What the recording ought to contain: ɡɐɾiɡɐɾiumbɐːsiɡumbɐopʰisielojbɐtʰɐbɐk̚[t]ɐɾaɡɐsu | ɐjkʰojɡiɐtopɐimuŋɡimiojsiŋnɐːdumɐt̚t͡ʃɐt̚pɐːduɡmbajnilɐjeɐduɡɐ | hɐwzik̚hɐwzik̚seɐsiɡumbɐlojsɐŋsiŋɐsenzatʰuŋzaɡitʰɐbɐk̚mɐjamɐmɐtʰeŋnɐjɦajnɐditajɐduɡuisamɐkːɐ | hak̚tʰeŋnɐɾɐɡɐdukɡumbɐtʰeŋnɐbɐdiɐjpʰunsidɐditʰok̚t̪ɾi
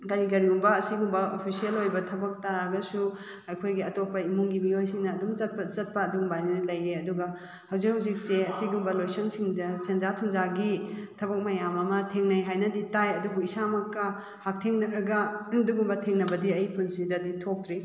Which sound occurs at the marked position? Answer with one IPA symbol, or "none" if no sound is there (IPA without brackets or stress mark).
t